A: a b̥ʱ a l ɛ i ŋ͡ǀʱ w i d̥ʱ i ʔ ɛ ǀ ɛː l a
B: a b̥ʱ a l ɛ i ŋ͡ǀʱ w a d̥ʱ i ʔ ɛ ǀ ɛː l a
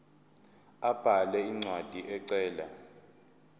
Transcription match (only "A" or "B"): B